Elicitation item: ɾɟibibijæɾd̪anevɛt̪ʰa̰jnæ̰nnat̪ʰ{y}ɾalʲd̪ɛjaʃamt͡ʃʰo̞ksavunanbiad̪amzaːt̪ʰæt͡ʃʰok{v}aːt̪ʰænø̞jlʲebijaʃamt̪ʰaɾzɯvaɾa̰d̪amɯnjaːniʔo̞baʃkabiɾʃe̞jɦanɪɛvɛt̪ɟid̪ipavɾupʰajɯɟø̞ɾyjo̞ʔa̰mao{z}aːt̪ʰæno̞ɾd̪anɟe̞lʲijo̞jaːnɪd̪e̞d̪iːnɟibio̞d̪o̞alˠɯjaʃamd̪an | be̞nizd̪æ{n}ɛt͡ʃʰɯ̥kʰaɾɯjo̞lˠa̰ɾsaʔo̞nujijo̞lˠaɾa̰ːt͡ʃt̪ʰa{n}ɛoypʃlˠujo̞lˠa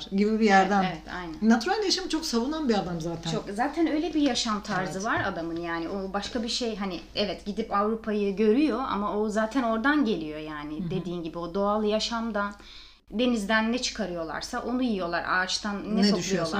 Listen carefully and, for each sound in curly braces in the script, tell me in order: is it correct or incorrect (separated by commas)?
correct, incorrect, correct, incorrect, incorrect